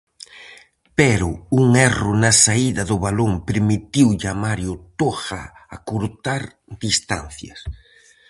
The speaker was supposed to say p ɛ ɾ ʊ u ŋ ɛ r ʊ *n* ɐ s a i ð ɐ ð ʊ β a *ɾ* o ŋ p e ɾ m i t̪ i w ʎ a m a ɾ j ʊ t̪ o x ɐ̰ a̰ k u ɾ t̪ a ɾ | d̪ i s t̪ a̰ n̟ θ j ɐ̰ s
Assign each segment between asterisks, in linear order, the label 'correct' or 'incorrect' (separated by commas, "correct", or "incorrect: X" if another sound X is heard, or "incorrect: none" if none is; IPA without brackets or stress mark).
correct, incorrect: l